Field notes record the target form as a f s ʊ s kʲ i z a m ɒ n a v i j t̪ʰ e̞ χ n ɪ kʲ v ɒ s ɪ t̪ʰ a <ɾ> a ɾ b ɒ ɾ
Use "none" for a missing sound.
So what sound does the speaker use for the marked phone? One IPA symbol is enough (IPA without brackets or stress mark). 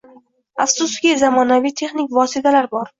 l